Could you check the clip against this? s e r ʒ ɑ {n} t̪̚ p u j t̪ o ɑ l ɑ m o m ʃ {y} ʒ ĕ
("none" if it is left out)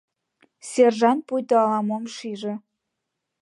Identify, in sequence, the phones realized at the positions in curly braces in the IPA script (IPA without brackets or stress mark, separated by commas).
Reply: n, i